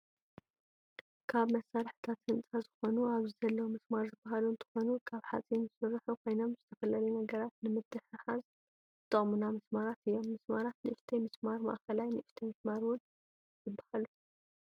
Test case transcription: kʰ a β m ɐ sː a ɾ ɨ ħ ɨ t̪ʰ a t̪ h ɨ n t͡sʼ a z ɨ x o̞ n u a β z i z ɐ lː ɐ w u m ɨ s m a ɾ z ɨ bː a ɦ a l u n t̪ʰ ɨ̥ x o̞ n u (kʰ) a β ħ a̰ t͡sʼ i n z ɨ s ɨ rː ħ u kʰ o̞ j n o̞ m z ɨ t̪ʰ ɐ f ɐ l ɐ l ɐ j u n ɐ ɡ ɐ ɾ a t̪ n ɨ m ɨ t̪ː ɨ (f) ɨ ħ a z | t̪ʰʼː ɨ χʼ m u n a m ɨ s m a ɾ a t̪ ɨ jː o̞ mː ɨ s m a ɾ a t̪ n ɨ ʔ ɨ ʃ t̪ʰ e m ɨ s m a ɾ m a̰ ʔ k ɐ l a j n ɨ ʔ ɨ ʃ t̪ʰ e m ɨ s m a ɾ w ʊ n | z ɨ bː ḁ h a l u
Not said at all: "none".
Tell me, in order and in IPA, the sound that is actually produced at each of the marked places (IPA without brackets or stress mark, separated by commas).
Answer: kʰ, ħ